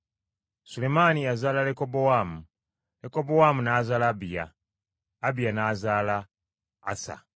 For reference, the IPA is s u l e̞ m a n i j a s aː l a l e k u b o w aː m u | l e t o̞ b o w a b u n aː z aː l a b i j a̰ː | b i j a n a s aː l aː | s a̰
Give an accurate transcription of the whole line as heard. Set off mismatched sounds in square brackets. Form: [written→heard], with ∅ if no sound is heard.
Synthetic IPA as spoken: s u l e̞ m a n i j a [s→z] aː l a l e k [u→o] b o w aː m u | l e [t→k] o̞ b o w a [b→m] u n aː z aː l a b i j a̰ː | b i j a n a [s→z] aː l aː | s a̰